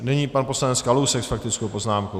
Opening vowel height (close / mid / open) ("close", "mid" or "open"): mid